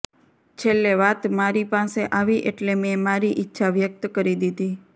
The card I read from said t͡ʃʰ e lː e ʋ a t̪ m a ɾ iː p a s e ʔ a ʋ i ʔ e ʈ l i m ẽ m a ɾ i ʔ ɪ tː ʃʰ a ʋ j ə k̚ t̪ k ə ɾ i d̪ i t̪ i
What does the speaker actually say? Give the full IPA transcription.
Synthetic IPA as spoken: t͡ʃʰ e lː e ʋ a t̪ m a ɾ i p a s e ʔ a ʋ i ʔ e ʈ l e m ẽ m a ɾ i ʔ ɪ tː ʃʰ a ʋ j ə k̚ t̪ k ə ɾ i d̪ i d̪ i